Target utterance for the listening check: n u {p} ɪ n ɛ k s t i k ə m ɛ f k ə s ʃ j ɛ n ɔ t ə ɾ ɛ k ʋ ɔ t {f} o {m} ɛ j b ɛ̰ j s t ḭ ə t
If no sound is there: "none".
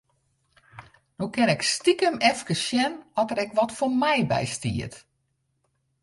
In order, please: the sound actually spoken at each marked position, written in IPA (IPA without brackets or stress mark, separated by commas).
k, f, m